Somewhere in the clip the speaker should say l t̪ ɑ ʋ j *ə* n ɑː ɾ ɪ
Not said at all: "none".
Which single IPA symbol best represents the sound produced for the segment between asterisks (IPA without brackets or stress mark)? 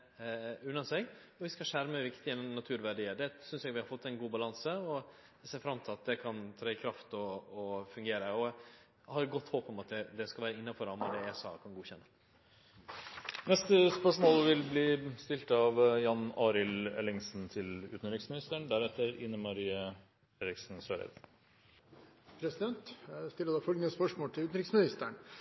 ɑ